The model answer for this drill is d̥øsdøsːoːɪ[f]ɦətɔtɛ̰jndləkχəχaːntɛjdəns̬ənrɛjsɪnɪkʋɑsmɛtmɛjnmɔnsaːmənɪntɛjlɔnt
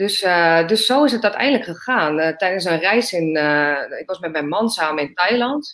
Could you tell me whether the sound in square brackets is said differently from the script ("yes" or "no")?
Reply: yes